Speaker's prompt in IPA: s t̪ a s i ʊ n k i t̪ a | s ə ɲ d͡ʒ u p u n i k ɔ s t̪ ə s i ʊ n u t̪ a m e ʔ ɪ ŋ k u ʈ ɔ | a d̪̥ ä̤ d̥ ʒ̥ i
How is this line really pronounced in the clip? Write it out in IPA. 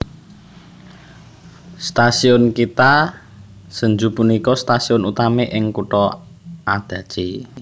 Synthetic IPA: s t̪ a s i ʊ n k i t̪ a | s ə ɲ d͡ʒ u p u n i k ɔ s t̪ a s i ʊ n u t̪ a m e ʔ ɪ ŋ k u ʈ ɔ | a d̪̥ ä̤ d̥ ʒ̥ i